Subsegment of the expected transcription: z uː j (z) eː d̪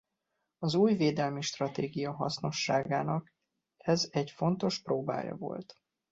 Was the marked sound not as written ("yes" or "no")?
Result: yes